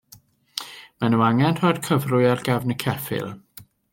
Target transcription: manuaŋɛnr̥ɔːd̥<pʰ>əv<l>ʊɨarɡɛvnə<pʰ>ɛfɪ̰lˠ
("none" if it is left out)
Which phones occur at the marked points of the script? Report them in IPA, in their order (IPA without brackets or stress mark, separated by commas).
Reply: kʰ, r, kʰ